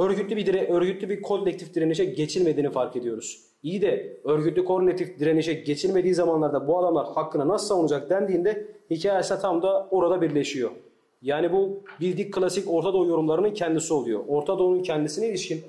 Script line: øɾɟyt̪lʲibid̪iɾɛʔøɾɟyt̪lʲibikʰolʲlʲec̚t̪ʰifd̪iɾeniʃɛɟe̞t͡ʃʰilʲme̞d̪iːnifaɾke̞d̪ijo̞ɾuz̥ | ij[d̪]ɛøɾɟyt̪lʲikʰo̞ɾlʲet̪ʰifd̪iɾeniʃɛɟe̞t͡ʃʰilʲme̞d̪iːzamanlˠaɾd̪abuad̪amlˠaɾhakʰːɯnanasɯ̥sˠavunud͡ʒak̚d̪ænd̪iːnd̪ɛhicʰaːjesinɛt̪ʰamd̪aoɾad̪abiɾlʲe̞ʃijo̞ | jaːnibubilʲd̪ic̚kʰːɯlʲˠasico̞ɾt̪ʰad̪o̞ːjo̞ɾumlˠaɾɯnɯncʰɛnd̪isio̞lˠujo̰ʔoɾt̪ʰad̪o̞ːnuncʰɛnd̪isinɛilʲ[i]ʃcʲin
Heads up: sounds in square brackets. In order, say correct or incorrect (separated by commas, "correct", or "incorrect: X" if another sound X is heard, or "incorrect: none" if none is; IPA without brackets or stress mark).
correct, correct